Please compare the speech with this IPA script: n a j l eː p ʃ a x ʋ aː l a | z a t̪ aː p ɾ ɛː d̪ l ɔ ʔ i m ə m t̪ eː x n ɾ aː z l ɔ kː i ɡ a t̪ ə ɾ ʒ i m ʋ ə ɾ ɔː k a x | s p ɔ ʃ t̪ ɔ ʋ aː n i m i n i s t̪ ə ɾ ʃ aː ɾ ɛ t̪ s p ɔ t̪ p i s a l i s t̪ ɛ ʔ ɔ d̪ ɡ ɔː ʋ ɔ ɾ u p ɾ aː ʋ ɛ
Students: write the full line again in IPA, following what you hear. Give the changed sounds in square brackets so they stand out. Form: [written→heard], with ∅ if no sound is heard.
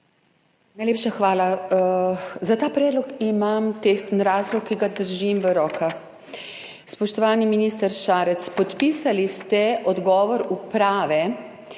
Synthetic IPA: n a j l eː p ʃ a x ʋ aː l a | z a t̪ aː p ɾ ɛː d̪ l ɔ [ʔ→k] i m [ə→a] m t̪ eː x n ɾ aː z l ɔ kː i ɡ a [t̪→d̪] ə ɾ ʒ i m ʋ ə ɾ ɔː k a x | s p ɔ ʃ t̪ ɔ ʋ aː n i m i n i s t̪ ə ɾ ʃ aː ɾ ɛ t̪ s p ɔ t̪ p i s a l i s t̪ ɛ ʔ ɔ d̪ ɡ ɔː ʋ ɔ ɾ u p ɾ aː ʋ ɛ